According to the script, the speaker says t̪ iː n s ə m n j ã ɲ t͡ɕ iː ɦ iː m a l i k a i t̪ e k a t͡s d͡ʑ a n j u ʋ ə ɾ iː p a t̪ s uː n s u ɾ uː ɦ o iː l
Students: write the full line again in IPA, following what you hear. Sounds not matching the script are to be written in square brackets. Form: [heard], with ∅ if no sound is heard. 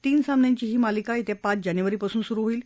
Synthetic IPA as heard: t̪ iː n s [a] m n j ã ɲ t͡ɕ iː ɦ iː m a l i k a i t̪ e [p] a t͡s d͡ʑ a n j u ʋ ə ɾ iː p a [∅] s uː n s u ɾ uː ɦ o iː l

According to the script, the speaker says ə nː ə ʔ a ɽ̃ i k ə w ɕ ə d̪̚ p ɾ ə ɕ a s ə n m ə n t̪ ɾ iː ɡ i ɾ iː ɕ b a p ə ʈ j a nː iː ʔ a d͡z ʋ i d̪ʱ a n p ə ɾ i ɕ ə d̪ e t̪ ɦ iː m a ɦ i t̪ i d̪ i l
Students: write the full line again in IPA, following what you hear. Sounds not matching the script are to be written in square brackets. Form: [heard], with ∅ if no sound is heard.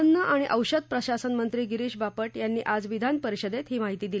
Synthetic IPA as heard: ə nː ə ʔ a ɽ̃ i [ʔ] ə w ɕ ə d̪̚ p ɾ ə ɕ a s ə n m ə n t̪ ɾ iː ɡ i ɾ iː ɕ b a p ə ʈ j a nː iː ʔ a d͡z ʋ i d̪ʱ a n p ə ɾ i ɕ ə d̪ e t̪ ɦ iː m a ɦ i t̪ [iː] d̪ i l

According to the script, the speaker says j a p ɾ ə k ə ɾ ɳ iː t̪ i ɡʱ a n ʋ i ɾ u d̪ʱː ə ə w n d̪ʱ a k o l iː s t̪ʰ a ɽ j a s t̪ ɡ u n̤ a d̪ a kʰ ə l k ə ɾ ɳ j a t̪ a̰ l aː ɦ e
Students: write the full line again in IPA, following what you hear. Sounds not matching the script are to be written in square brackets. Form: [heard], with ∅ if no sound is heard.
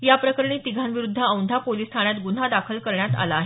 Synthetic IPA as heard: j a p ɾ ə k ə ɾ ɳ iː t̪ i ɡʱ a n ʋ i ɾ u d̪ʱː ə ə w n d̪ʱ a [p] o l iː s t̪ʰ a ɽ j a [∅] t̪ ɡ u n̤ a d̪ a kʰ ə l k ə ɾ ɳ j a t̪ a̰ l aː ɦ e

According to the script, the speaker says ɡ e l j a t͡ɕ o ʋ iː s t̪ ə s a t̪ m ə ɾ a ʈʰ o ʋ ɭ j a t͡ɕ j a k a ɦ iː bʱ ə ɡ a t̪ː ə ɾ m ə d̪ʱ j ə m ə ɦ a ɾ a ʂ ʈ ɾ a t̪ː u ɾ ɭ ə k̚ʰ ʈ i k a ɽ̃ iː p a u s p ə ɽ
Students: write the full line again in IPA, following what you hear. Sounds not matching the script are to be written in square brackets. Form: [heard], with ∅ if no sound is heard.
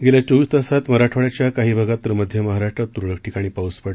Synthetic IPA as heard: ɡ e l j a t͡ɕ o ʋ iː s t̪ ə s a t̪ m ə ɾ a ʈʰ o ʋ ɭ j a t͡ɕ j a k a ɦ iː bʱ ə ɡ a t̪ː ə ɾ m ə d̪ʱ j ə m ə ɦ a ɾ a ʂ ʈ ɾ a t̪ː u ɾ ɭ ə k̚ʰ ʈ i k a ɽ̃ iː p a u s p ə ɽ

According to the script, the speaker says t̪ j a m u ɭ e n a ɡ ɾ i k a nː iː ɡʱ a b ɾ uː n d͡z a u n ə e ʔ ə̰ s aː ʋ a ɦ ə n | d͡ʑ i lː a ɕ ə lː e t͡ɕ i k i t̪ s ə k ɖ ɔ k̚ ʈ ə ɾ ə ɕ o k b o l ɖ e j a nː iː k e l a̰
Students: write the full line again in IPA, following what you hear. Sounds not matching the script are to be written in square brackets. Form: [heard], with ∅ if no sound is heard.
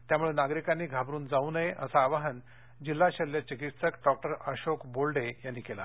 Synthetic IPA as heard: t̪ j a m u ɭ e n a ɡ ɾ i k a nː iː ɡʱ a b ɾ uː n d͡z a u n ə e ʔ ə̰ s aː ʋ a ɦ ə n | d͡ʑ i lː a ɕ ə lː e t͡ɕ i k i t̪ s ə k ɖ ɔ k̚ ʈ ə ɾ ə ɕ o k b o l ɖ e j a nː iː k e l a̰

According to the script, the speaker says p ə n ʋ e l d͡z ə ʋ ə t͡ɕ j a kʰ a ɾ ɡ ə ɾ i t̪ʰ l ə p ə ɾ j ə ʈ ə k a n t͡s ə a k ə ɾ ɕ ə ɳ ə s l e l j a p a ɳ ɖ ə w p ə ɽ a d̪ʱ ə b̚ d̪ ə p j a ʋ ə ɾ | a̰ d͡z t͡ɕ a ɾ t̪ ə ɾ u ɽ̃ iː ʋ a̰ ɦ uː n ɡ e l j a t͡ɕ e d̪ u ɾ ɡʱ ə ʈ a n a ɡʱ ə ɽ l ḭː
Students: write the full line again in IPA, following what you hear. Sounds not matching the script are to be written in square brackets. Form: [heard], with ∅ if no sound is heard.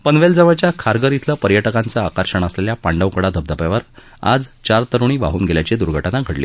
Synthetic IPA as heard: p ə n ʋ e l d͡z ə ʋ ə t͡ɕ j a kʰ a ɾ ɡ ə ɾ i t̪ʰ l ə p ə ɾ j ə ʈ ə k a n t͡s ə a k ə ɾ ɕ ə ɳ ə s l e l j a p a ɳ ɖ ə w [k] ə ɽ a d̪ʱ ə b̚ d̪ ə p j a ʋ ə ɾ | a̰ d͡z t͡ɕ a ɾ t̪ ə ɾ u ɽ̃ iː ʋ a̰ ɦ uː n ɡ e l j a t͡ɕ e d̪ u ɾ ɡʱ ə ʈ a n a ɡʱ ə ɽ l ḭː

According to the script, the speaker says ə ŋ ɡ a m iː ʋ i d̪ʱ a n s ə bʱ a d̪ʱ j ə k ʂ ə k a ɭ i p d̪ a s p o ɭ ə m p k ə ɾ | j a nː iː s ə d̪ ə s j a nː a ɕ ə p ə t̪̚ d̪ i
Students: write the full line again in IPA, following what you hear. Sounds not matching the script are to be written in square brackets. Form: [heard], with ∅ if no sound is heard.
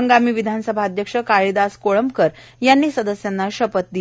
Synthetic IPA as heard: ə ŋ ɡ a m iː ʋ i d̪ʱ a n s ə bʱ a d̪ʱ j ə k ʂ ə k a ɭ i [∅] d̪ a s [k] o ɭ ə m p k ə ɾ | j a nː iː s ə d̪ ə s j a nː a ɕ ə p ə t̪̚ d̪ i

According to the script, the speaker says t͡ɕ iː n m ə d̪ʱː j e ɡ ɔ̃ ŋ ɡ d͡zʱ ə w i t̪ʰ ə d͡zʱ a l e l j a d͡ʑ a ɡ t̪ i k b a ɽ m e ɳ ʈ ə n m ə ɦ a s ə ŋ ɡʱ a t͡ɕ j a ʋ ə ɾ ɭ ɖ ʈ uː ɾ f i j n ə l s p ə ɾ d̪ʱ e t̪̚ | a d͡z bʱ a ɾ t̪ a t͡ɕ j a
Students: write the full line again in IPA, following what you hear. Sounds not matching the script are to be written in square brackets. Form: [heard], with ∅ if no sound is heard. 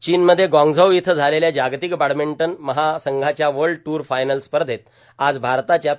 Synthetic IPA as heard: t͡ɕ iː n m ə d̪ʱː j e ɡ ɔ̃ ŋ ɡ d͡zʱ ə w i t̪ʰ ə d͡zʱ a l e l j a d͡ʑ a ɡ t̪ i k b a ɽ m e ɳ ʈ ə n m ə ɦ a s ə ŋ ɡʱ a t͡ɕ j a ʋ ə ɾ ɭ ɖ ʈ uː ɾ f [a] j n ə l s p ə ɾ d̪ʱ e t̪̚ | a d͡z bʱ a ɾ t̪ a t͡ɕ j a

